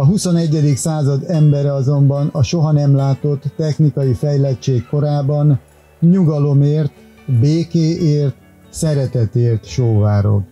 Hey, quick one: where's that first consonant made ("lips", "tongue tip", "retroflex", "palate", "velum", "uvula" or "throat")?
throat